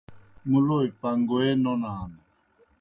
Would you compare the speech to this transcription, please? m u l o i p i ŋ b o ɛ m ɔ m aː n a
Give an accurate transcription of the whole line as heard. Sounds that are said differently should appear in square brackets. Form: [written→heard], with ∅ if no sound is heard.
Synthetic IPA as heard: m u l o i p [i→a] ŋ [b→ɡ] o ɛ [m→n] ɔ [m→n] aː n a